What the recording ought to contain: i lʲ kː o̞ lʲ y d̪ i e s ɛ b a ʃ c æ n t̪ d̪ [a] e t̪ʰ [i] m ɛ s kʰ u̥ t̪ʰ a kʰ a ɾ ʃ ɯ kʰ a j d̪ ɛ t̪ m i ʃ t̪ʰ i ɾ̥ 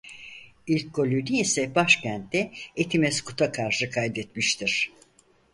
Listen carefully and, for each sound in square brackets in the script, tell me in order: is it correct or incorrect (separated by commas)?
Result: incorrect, correct